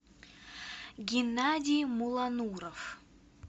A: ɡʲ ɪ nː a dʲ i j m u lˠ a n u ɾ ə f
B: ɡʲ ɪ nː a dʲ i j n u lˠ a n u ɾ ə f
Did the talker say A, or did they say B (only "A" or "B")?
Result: A